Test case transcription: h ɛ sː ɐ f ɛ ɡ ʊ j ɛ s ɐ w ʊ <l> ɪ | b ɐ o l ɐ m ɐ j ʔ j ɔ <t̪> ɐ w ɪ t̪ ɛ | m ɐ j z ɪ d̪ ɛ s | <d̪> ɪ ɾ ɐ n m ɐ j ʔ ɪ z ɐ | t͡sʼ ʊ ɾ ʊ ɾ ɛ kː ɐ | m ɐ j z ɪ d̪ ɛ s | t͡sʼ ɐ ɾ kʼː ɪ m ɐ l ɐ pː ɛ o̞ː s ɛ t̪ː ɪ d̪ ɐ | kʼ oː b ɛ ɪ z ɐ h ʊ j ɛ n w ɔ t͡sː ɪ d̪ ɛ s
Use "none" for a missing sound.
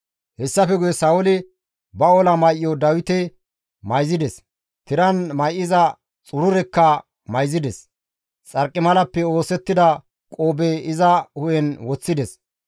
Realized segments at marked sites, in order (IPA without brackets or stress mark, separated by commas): l, d̪, t̪